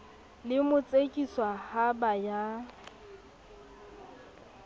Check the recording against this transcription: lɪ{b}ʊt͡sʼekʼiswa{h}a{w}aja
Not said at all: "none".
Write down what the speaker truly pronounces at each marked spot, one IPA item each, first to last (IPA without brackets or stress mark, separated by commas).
m, h, b